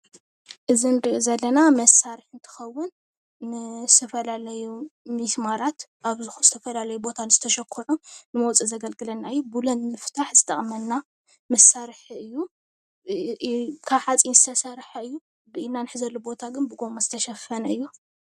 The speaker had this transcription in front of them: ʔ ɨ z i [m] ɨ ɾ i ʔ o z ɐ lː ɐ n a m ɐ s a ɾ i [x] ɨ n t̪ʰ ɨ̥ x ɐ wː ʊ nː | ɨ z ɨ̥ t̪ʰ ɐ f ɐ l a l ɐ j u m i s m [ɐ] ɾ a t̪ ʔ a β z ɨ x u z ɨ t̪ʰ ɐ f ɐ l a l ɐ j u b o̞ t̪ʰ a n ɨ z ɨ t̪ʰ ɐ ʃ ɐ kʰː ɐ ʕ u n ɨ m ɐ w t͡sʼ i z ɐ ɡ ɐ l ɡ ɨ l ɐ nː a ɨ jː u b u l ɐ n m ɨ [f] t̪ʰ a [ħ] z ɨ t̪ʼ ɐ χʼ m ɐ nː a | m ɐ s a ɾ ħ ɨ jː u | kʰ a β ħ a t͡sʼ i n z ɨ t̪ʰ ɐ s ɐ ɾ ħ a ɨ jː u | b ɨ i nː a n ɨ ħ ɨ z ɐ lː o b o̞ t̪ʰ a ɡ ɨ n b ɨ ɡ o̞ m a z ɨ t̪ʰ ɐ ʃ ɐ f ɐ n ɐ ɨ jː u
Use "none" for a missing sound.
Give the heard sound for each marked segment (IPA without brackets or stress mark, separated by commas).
n, ħ, a, f, ħ